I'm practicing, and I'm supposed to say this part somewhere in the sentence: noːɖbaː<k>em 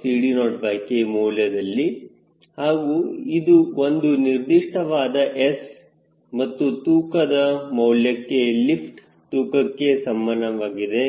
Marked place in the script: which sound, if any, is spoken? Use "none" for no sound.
k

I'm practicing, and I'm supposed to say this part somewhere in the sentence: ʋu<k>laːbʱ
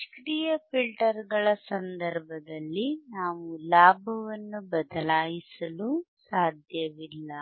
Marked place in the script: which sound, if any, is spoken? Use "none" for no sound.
none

